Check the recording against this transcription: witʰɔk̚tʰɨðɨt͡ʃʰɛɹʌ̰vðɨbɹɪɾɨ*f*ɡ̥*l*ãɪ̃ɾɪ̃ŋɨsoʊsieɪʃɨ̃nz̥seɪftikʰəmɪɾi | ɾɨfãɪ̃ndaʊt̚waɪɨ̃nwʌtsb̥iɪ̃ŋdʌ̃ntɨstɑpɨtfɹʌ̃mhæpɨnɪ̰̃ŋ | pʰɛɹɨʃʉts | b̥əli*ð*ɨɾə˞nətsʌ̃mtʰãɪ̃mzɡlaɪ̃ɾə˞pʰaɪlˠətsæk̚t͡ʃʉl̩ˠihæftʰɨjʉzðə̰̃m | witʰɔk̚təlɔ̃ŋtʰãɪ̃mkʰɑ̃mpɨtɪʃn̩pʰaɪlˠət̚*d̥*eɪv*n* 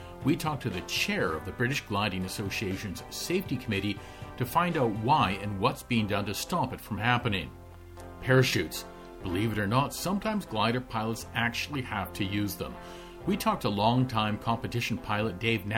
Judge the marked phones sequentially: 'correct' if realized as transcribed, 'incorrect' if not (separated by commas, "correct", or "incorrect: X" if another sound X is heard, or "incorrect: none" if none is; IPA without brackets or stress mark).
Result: incorrect: ʃ, correct, incorrect: v, correct, correct